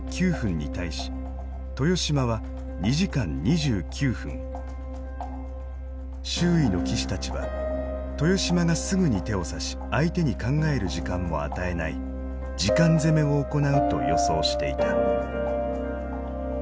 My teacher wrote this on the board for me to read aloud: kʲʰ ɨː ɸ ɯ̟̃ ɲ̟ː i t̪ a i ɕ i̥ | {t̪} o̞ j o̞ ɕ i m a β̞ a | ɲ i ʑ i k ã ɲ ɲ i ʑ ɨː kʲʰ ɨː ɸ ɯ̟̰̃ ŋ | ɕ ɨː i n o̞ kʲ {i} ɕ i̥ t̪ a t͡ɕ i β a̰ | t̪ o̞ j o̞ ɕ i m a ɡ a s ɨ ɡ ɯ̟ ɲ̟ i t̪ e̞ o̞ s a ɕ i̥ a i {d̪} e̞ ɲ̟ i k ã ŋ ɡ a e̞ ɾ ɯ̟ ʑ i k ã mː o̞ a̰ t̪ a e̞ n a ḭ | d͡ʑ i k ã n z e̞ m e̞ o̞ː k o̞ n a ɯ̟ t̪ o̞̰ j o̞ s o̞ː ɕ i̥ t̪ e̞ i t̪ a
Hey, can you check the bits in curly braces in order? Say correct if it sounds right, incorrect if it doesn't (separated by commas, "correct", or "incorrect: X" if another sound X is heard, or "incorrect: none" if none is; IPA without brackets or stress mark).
correct, correct, incorrect: t̪